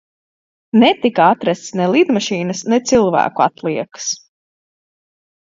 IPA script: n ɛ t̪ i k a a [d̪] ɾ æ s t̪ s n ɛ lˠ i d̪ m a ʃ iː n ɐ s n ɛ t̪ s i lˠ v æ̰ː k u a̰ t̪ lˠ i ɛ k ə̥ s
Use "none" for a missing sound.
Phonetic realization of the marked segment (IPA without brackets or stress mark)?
t̪